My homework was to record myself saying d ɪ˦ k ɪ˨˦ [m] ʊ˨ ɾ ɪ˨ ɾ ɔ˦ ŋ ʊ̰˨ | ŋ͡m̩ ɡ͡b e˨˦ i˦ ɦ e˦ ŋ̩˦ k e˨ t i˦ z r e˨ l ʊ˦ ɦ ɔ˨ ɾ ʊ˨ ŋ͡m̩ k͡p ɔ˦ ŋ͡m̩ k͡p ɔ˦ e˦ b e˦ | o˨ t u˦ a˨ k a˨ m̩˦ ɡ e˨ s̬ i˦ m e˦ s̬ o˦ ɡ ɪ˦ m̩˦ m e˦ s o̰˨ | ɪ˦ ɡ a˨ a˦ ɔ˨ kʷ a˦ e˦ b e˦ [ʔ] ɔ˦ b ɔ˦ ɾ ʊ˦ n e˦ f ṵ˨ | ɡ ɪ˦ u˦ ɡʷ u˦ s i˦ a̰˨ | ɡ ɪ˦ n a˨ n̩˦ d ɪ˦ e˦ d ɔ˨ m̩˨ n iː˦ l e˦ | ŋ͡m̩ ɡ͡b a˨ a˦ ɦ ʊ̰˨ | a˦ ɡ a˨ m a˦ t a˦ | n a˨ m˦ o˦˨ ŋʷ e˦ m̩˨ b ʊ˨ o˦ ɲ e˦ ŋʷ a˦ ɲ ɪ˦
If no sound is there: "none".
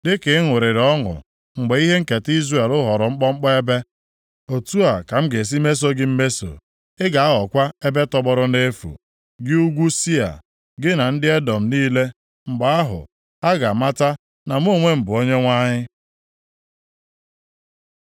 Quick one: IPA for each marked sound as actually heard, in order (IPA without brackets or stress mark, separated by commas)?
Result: ŋ, t